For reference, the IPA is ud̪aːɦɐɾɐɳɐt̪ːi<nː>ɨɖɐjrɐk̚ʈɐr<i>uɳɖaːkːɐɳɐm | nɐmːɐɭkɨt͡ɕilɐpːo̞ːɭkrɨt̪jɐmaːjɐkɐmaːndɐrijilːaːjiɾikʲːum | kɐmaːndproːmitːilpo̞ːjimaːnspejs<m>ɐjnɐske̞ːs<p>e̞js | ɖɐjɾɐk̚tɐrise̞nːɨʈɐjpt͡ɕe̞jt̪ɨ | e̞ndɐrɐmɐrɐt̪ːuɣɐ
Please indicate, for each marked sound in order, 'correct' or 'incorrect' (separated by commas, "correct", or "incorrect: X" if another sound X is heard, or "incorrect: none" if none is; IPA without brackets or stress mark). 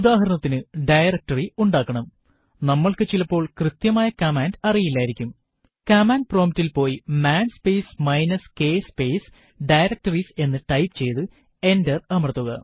incorrect: n, correct, correct, correct